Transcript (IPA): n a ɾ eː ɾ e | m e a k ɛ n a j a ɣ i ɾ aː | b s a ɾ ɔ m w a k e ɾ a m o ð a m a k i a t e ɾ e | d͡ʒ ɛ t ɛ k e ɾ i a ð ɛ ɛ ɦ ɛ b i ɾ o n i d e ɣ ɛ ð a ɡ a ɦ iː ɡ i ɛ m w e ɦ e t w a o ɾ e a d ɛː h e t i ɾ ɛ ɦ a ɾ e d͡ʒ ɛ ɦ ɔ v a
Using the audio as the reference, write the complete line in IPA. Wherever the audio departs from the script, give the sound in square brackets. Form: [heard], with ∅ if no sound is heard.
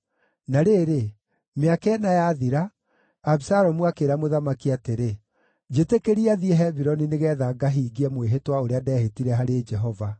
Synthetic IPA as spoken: n a ɾ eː ɾ e | m e a k ɛ n a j a [ð] i ɾ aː | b s a ɾ ɔ m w a k e ɾ a m o ð a m a k i a t e ɾ e | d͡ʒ [e] t [e] k e ɾ i a ð [i] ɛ ɦ ɛ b i ɾ [ɔ] n i [n] e ɣ ɛ ð a ɡ a ɦ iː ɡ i ɛ m w e ɦ e t w a o ɾ e a d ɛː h e t i ɾ ɛ ɦ a ɾ e d͡ʒ ɛ ɦ ɔ v a